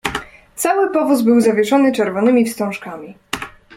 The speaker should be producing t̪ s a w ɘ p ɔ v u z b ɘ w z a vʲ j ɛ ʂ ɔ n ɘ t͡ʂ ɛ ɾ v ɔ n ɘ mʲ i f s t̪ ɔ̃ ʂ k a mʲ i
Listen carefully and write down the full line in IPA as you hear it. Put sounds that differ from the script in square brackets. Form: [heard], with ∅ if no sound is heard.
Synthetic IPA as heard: t̪ s a w ɘ p ɔ v u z b ɘ w z a vʲ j ɛ ʂ ɔ n ɘ t͡ʂ ɛ ɾ v ɔ n ɘ mʲ i f s t̪ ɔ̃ ʂ k a mʲ i